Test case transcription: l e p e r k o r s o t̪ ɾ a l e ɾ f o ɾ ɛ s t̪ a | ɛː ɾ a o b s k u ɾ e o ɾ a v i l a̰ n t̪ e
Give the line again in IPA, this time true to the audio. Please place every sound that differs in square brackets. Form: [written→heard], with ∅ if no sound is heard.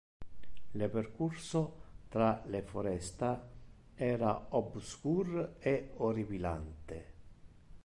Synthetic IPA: l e p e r k [o→u] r s o t̪ ɾ a l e [ɾ→∅] f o ɾ ɛ s t̪ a | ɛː ɾ a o b s k u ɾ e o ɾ [a→i] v i l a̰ n t̪ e